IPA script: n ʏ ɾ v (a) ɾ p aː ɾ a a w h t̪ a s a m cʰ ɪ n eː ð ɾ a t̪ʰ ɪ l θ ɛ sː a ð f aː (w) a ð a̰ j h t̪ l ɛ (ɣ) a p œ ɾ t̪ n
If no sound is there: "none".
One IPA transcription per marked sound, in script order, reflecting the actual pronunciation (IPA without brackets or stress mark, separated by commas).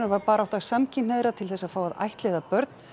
a, w, ð